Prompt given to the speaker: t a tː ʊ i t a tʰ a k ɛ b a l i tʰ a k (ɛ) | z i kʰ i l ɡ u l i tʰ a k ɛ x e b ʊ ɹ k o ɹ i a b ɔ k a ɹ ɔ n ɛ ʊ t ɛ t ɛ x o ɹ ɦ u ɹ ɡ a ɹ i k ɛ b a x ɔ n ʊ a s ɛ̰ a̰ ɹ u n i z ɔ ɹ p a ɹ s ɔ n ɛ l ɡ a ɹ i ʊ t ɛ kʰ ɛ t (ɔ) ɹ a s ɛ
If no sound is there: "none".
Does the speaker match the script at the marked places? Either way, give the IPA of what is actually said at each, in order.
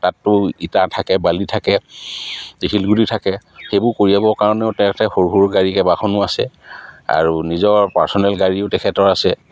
ɛ, ɔ

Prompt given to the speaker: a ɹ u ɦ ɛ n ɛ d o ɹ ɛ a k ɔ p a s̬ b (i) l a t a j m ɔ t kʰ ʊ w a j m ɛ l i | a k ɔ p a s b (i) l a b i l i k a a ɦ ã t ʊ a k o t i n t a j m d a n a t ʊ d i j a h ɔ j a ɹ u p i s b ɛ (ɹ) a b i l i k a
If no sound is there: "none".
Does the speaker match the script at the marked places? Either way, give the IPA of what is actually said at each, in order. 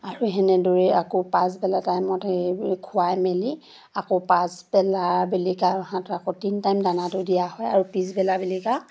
ɛ, ɛ, l

